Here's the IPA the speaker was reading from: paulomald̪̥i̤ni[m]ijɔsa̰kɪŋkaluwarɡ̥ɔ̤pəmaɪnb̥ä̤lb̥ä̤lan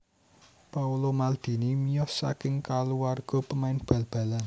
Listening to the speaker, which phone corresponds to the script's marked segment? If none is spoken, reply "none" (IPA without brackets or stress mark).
m